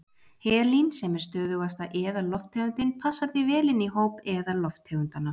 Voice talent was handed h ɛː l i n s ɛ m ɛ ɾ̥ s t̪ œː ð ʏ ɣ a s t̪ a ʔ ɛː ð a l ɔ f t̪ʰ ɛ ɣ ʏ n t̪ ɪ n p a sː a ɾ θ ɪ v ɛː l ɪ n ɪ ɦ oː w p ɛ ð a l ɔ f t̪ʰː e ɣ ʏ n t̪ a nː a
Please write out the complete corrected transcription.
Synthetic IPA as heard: h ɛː l i n s ɛ m ɛ ɾ̥ s t̪ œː ð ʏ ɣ a s t̪ a ʔ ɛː ð a l ɔ f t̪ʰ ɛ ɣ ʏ n t̪ ɪ n pʰ a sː a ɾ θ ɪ v ɛː l ɪ n i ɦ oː w p ɛ ð a l ɔ f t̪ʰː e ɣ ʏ n t̪ a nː a